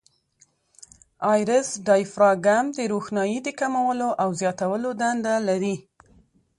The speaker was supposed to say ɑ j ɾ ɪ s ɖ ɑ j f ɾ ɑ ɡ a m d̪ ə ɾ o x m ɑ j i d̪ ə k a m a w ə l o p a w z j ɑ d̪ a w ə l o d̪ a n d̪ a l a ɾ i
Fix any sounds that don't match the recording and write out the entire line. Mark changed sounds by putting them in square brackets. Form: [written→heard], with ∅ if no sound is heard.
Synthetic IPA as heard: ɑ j ɾ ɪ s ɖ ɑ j f ɾ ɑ ɡ a m d̪ ə ɾ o x [m→n] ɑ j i d̪ ə k a m a w ə l o [p→ʔ] a w z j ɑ [d̪→t̪] a w ə l o d̪ a n d̪ a l a ɾ i